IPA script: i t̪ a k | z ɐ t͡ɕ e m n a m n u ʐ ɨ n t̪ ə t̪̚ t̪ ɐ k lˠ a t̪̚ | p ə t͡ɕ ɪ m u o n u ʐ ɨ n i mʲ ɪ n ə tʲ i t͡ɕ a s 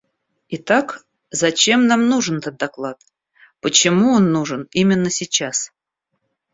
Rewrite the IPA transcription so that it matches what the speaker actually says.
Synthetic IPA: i t̪ a k | z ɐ t͡ɕ e m n a m n u ʐ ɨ n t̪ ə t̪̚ d̪ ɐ k lˠ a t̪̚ | p ə t͡ɕ ɪ m u o nː u ʐ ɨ n i mʲ ɪ nː ə sʲ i t͡ɕ a s